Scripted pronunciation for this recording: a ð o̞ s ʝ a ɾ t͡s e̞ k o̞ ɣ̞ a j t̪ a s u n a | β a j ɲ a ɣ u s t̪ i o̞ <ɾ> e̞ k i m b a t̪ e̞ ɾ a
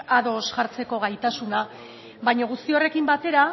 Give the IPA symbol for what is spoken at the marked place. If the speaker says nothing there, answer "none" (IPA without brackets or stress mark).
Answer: r